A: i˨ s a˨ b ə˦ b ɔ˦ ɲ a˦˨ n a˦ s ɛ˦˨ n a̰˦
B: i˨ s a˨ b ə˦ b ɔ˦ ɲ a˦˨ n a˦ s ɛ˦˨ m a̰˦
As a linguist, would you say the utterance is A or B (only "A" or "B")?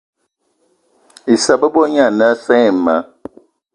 B